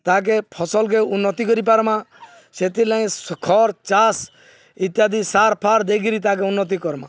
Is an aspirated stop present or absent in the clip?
present